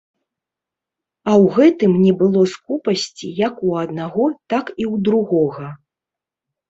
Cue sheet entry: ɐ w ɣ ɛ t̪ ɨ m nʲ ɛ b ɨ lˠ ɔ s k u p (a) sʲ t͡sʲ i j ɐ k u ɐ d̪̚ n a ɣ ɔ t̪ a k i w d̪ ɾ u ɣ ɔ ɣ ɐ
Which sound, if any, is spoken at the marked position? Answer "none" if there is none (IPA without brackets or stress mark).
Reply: ɐ